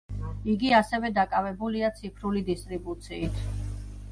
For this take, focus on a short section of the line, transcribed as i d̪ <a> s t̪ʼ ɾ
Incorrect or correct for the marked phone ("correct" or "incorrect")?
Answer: incorrect